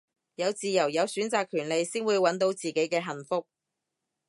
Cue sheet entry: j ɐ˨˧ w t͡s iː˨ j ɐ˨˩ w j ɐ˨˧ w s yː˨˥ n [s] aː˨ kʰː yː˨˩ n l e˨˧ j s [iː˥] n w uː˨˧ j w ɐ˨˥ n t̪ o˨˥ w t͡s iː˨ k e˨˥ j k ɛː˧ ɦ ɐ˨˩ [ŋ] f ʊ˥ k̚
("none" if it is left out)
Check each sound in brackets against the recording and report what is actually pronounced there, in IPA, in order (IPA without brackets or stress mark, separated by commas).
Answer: t͡s, iː˥, n